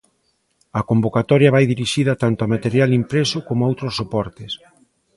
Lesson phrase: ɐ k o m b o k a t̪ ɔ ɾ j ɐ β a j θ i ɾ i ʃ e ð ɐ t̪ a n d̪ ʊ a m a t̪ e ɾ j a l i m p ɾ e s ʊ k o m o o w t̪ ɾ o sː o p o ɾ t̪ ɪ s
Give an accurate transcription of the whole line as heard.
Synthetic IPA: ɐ k o m b o k a t̪ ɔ ɾ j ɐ β a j ð i ɾ i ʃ i ð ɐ t̪ a n t̪ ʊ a m a t̪ e ɾ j a l i m p ɾ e s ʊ k o m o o w t̪ ɾ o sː o p ɔ ɾ t̪ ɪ s